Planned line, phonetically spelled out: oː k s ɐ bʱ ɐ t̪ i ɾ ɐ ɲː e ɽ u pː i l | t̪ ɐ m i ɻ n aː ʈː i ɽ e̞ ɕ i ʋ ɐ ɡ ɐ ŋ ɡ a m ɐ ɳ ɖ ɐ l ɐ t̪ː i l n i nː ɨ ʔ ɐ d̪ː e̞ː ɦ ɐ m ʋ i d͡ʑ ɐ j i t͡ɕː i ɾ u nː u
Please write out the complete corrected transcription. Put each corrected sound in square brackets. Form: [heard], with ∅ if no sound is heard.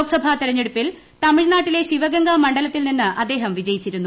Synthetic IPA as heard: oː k s ɐ bʱ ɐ t̪ i ɾ ɐ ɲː e ɽ u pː i l | t̪ ɐ m i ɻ n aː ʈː i [l] e̞ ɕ i ʋ ɐ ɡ ɐ ŋ ɡ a m ɐ ɳ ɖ ɐ l ɐ t̪ː i l n i nː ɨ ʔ ɐ d̪ː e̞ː ɦ ɐ m ʋ i d͡ʑ ɐ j i t͡ɕː i ɾ u nː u